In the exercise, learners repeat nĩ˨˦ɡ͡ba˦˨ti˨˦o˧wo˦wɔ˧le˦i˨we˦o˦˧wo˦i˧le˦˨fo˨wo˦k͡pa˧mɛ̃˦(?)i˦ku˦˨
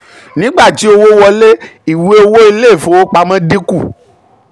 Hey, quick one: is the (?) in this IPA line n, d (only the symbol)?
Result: d